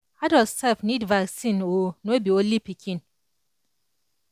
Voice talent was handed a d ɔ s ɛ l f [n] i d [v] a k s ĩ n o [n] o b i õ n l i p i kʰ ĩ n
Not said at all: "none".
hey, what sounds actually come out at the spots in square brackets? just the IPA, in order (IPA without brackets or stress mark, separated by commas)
n, v, n